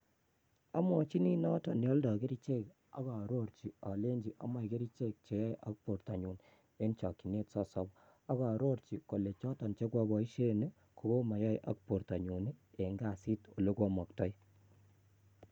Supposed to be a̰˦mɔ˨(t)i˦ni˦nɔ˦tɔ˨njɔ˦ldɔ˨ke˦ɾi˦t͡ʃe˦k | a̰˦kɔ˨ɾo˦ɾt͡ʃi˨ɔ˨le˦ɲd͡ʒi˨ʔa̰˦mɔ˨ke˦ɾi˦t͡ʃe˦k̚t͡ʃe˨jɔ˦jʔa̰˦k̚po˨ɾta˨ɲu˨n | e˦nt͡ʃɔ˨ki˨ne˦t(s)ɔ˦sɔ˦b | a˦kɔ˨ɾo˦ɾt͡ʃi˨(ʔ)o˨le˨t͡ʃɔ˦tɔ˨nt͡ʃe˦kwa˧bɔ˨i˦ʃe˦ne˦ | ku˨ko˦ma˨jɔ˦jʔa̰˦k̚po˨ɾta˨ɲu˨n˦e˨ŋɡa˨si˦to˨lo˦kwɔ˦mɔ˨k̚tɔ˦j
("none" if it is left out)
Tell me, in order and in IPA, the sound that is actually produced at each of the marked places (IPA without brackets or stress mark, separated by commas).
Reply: t͡ʃ, s, k